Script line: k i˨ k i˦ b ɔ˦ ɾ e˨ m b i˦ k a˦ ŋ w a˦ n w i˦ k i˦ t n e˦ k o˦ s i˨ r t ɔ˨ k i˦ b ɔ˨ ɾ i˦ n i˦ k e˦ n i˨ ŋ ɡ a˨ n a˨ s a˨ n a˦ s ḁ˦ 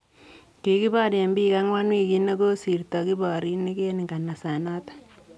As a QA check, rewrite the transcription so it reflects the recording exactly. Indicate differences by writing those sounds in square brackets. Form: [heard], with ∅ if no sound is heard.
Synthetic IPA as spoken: k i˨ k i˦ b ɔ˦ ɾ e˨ m b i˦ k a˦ ŋ w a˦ n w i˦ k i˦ [∅] n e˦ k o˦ s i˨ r t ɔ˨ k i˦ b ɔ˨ ɾ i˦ n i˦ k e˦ n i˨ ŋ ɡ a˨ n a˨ s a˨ n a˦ [t] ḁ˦